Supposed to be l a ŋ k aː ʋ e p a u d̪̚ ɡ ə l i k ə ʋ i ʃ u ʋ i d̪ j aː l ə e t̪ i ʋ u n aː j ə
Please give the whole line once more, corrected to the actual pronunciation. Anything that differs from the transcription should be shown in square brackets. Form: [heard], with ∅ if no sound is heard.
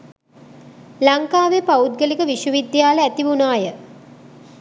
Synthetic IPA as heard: l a ŋ k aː ʋ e p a u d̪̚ ɡ ə l i k ə ʋ i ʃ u ʋ i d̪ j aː l ə [æ] t̪ i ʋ u n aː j ə